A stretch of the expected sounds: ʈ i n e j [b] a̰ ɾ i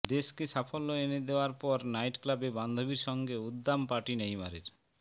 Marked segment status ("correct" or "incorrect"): incorrect